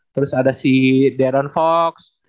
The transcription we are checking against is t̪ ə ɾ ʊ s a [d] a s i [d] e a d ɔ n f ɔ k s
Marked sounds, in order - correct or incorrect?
correct, correct

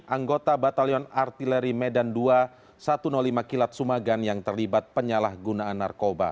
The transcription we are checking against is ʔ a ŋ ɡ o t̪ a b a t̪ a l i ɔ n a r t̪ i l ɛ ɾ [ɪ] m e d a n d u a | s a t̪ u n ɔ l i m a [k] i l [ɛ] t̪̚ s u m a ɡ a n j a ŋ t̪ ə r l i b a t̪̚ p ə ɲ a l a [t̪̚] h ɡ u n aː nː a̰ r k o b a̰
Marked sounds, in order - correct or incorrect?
incorrect, correct, incorrect, incorrect

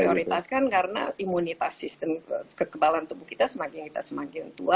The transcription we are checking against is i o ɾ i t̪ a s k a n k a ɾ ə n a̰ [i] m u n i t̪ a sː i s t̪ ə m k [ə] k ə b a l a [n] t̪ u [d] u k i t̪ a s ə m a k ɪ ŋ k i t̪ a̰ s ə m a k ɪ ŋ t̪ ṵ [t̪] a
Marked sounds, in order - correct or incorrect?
correct, correct, correct, incorrect, incorrect

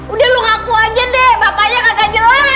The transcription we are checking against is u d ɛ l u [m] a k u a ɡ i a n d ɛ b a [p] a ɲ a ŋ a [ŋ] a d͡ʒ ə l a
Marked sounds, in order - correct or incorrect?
incorrect, correct, incorrect

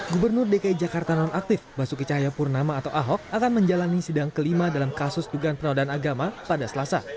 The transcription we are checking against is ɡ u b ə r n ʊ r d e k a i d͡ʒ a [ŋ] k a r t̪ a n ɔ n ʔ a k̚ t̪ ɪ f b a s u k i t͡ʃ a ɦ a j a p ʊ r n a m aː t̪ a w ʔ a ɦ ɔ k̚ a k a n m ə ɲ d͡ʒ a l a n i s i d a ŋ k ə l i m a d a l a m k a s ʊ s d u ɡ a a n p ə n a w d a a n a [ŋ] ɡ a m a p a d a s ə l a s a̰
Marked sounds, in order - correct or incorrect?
incorrect, incorrect

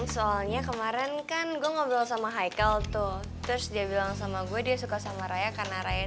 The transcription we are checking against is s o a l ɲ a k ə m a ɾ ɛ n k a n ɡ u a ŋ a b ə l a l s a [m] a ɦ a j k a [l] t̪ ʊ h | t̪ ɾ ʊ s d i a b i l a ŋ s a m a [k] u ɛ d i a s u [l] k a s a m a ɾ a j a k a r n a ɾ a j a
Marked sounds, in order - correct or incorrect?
correct, correct, incorrect, incorrect

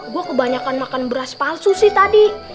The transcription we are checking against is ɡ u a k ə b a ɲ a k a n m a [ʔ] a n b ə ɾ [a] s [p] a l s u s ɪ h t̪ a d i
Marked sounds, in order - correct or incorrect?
incorrect, correct, correct

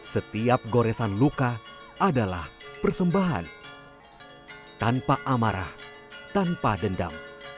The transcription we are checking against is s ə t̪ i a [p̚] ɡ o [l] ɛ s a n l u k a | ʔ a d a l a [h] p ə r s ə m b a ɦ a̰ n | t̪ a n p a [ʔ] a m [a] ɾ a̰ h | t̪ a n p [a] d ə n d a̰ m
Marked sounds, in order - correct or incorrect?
correct, incorrect, correct, correct, correct, correct

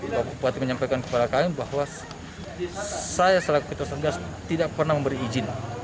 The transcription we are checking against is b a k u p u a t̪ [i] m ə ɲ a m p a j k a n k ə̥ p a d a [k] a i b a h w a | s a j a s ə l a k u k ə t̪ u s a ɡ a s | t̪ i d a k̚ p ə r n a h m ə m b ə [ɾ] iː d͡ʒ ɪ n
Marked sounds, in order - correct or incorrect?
correct, correct, correct

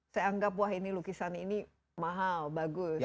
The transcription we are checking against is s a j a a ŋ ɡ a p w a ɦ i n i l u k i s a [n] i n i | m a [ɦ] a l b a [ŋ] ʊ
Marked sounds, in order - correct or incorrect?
correct, correct, incorrect

